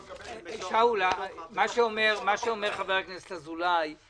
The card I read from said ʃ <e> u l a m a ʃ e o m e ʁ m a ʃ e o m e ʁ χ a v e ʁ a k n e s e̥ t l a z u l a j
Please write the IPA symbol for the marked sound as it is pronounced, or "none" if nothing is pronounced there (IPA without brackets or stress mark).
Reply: a